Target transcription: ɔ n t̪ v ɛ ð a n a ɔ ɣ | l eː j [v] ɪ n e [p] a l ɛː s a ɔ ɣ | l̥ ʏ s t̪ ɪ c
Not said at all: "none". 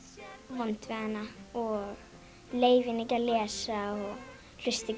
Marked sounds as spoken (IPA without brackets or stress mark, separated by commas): v, c